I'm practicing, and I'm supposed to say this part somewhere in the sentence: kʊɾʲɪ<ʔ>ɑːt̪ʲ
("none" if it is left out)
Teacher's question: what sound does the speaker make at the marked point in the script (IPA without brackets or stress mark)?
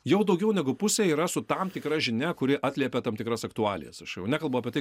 ʔ